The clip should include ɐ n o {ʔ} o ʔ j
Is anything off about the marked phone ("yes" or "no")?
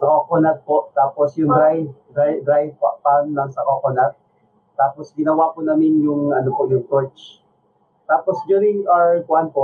yes